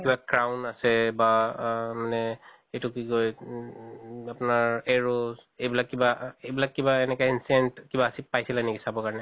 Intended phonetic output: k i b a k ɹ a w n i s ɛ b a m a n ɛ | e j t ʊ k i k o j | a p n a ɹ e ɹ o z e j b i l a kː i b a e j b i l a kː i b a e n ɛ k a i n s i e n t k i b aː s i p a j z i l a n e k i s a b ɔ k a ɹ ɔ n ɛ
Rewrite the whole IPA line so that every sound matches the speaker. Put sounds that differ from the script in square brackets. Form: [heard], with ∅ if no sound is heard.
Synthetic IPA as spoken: k i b a k ɹ a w n [a] s ɛ b a m a n ɛ | e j t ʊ k i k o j | a p n a ɹ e ɹ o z e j b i l a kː i b a e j b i l a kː i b a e n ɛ k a i n s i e n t k i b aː s i p a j [s] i l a n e k i s a b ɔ k a ɹ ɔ n ɛ